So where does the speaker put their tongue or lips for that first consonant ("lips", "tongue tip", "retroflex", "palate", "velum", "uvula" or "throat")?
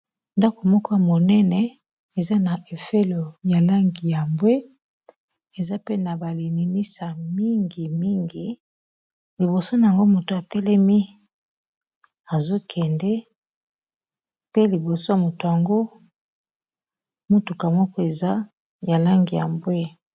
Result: tongue tip